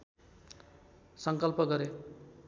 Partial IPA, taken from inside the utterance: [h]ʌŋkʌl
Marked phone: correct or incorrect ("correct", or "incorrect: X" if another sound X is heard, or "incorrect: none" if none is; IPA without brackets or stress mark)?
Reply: incorrect: s